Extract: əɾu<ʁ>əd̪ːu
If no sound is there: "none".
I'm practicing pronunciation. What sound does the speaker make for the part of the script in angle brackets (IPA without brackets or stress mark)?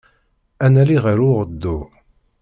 ʁ